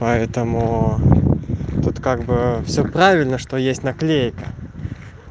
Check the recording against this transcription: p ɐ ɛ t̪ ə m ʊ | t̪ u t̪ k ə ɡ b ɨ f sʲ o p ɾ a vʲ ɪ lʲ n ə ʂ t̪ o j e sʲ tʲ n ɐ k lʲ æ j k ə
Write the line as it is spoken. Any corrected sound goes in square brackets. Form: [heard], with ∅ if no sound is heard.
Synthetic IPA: p ɐ ɛ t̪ ə m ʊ | t̪ u t̪ k [a] ɡ b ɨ f sʲ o p ɾ a vʲ ɪ lʲ n ə ʂ t̪ o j e sʲ tʲ n ɐ k lʲ [e] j k ə